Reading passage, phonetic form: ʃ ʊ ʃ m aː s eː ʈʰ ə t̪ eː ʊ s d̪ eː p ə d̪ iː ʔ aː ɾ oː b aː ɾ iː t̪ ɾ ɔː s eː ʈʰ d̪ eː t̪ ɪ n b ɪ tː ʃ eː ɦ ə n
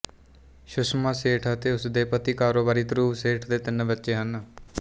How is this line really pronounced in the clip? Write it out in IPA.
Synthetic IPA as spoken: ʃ ʊ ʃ m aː s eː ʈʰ ə t̪ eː ʊ s d̪ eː p ə t̪ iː k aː ɾ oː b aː ɾ iː t̪ ɾ uː s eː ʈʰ d̪ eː t̪ ɪ n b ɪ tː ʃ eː ɦ ə n